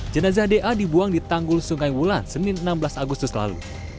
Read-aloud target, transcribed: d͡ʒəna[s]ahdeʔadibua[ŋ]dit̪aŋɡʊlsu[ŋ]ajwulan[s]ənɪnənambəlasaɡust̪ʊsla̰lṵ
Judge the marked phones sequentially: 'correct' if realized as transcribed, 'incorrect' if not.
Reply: incorrect: z, correct, correct, correct

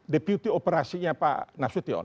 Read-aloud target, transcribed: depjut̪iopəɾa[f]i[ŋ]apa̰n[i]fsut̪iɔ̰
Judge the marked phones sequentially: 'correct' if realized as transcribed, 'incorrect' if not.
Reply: incorrect: s, incorrect: ɲ, incorrect: a

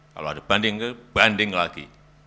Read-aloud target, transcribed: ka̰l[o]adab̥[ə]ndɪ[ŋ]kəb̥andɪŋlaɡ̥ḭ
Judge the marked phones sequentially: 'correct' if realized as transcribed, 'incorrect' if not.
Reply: correct, incorrect: a, correct

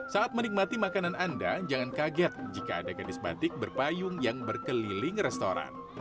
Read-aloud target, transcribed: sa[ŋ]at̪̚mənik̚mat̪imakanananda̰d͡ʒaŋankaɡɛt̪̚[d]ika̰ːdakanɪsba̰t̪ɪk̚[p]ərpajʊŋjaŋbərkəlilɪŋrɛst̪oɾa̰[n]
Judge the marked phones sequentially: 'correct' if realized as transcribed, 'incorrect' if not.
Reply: incorrect: none, incorrect: d͡ʒ, incorrect: b, correct

